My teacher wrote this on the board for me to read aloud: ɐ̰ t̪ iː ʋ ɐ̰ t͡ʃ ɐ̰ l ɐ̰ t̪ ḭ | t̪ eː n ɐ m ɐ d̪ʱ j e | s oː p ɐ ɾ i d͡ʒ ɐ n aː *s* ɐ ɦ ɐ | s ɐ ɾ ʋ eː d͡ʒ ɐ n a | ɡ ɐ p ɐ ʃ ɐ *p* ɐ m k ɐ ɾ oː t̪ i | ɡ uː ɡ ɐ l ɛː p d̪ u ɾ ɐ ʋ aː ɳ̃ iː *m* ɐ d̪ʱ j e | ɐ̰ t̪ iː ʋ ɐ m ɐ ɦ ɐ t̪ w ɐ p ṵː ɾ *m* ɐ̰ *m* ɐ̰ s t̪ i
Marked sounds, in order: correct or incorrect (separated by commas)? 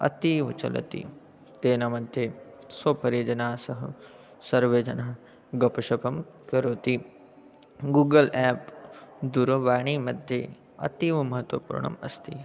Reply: correct, correct, correct, incorrect, correct